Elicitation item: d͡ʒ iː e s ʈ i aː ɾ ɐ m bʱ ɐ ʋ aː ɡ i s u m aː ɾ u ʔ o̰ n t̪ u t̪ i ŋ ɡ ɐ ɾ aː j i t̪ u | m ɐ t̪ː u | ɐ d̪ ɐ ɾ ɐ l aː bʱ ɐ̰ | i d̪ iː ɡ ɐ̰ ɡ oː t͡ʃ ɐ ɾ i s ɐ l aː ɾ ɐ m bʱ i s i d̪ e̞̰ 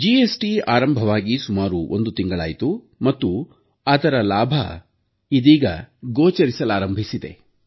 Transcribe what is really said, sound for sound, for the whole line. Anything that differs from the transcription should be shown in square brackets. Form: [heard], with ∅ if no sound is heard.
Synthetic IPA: d͡ʒ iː e s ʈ i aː ɾ ɐ m bʱ ɐ ʋ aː ɡ i s u m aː ɾ u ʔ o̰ n [d̪] u t̪ i ŋ ɡ ɐ [ɭ] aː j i t̪ u | m ɐ t̪ː u | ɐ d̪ ɐ ɾ ɐ l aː bʱ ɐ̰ | i d̪ iː ɡ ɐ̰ ɡ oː t͡ʃ ɐ ɾ i s ɐ l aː ɾ ɐ m bʱ i s i d̪ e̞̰